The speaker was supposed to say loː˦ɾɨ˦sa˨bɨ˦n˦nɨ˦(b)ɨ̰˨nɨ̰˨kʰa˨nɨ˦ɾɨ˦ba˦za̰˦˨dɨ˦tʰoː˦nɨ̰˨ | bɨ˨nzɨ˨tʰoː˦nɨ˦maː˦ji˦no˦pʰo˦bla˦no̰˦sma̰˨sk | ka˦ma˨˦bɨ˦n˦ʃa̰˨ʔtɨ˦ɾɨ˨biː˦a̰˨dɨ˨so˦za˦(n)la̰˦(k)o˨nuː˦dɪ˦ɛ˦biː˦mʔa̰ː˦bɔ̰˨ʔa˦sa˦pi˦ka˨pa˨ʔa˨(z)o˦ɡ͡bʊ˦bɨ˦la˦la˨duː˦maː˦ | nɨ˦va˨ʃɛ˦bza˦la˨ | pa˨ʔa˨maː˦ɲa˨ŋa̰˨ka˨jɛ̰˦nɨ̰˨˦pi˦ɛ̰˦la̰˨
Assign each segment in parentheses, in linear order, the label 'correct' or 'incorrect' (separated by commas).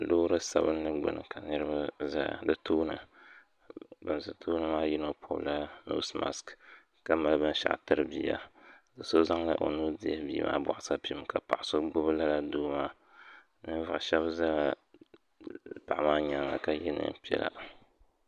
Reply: incorrect, incorrect, incorrect, incorrect